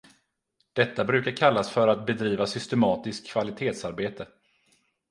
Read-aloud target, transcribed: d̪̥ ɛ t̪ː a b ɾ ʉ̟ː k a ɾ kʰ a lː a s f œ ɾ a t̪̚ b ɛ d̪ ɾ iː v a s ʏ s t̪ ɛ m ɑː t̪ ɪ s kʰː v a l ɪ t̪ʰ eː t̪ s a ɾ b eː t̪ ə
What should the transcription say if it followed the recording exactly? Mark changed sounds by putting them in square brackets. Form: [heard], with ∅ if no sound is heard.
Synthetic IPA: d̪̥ ɛ t̪ː a b ɾ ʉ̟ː k a ɾ kʰ a lː a s f œ ɾ a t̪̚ b ɛ d̪ ɾ iː v a s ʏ s t̪ ɛ m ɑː t̪ ɪ s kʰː v a l ɪ t̪ʰ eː t̪ s a ɾ b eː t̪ ə